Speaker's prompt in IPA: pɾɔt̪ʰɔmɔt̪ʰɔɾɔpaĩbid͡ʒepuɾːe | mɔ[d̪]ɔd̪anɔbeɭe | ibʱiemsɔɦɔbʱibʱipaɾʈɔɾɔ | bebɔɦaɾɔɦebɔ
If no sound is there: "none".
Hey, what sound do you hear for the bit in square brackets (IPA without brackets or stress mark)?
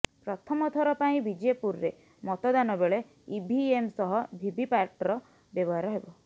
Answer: t̪